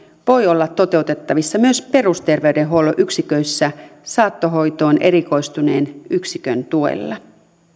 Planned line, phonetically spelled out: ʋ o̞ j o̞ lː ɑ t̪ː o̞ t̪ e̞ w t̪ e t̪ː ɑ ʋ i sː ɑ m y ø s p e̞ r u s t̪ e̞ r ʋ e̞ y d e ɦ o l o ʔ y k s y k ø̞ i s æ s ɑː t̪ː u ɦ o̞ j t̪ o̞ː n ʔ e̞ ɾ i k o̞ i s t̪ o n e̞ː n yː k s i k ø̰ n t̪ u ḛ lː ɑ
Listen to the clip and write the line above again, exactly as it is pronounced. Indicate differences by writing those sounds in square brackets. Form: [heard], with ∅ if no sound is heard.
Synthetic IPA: ʋ o̞ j o̞ lː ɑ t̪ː o̞ t̪ e̞ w t̪ e t̪ː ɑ ʋ i sː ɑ m y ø s p e̞ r u s t̪ e̞ r ʋ e̞ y d e ɦ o l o ʔ y k s [i] k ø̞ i [sː] æ s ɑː t̪ː [o] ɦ o̞ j t̪ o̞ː n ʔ e̞ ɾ i k o̞ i s t̪ [u] n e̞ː n [y] k s i k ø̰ n t̪ u ḛ lː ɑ